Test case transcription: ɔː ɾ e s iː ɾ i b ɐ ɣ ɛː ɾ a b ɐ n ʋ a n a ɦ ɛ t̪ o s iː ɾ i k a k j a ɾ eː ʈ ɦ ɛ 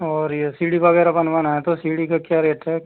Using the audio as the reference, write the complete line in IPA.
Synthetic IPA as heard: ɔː ɾ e s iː ɽ i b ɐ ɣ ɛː ɾ a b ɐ n ʋ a n a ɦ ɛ t̪ o s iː ɽ i k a k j a ɾ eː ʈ ɦ ɛ